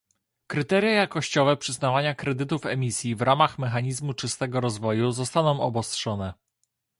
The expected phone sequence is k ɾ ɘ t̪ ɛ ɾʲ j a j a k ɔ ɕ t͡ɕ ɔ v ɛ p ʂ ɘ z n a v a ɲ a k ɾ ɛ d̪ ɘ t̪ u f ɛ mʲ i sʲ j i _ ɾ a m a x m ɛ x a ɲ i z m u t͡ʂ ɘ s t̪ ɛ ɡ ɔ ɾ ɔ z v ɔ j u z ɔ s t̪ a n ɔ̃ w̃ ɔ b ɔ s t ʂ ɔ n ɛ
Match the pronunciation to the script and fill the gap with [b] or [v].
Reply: v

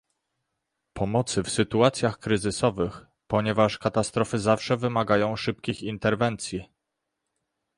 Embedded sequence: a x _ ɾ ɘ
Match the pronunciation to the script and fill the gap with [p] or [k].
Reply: k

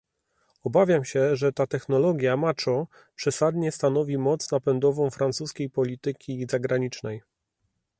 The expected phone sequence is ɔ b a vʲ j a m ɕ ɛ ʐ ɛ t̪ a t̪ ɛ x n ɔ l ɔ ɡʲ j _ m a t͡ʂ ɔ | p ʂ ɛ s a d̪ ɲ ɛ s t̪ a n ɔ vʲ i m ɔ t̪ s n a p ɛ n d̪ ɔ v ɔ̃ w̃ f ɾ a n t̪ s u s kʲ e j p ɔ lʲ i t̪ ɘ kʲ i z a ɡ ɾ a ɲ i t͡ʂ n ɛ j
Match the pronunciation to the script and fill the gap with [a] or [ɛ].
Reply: a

